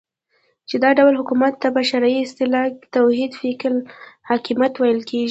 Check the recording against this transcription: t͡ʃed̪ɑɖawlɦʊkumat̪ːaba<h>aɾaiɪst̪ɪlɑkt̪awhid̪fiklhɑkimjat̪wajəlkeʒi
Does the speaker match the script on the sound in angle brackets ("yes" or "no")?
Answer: no